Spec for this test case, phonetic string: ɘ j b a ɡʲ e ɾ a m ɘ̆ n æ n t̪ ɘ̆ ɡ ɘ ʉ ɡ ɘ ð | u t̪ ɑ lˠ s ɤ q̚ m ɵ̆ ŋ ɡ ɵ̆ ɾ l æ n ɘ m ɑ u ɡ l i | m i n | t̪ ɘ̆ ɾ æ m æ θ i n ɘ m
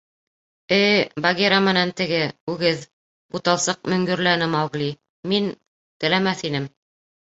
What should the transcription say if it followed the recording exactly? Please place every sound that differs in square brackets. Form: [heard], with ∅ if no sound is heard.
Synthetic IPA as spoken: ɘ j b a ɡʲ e ɾ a m ɘ̆ n æ n t̪ ɘ̆ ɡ ɘ ʉ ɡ ɘ ð | u t̪ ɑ lˠ s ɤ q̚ m ɵ̆ ŋ ɡ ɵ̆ ɾ l æ n ɘ m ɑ [w] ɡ l i | m i n | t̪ ɘ̆ [l] æ m æ θ i n ɘ m

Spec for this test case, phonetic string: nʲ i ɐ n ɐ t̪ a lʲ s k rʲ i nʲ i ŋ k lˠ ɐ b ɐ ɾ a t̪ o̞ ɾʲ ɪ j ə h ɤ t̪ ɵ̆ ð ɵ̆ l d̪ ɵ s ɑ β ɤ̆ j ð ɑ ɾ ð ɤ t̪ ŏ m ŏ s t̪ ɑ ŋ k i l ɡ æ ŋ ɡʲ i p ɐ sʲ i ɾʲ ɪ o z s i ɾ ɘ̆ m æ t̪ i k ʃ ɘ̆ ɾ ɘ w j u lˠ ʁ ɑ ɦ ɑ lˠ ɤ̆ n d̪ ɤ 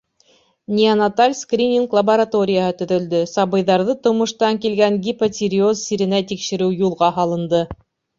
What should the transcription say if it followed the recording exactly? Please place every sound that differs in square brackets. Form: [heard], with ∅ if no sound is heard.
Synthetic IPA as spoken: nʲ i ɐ n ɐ t̪ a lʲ s k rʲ i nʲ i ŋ k lˠ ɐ b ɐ ɾ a t̪ o̞ ɾʲ ɪ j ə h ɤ t̪ ɵ̆ ð ɵ̆ l d̪ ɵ s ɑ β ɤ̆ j ð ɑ ɾ ð ɤ t̪ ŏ m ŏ [ʃ] t̪ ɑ ŋ k i l ɡ æ ŋ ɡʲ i p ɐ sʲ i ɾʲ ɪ o z s i ɾ ɘ̆ [n] æ t̪ i k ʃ ɘ̆ ɾ ɘ w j u lˠ ʁ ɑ ɦ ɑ lˠ ɤ̆ n d̪ ɤ

